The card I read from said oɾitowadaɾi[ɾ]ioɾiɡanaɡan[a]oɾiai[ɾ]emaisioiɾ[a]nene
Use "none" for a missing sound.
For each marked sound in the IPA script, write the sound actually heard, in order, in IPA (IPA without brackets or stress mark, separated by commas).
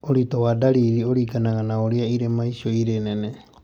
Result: ɾ, a, ɾ, e